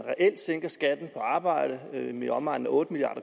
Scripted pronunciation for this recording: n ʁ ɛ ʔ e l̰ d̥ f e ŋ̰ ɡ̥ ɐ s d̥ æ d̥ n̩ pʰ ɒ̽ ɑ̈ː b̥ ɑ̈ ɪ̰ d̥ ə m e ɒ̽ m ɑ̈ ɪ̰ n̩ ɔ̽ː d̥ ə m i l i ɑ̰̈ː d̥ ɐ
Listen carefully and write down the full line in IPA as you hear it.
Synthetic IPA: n ʁ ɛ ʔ e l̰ d̥ s e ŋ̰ ɡ̥ ɐ s ɡ̥ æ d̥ n̩ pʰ ɒ̽ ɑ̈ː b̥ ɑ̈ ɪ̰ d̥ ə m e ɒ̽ m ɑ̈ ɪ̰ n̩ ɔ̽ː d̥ ə m i l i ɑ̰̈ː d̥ ɐ